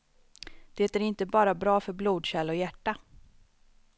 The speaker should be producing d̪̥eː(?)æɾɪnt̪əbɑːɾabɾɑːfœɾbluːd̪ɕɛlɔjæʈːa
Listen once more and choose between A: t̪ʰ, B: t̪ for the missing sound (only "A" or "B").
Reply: B